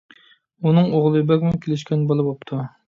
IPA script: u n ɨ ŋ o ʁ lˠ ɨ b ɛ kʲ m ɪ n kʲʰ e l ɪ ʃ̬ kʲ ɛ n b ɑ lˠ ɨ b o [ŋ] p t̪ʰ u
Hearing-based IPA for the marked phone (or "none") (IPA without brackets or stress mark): none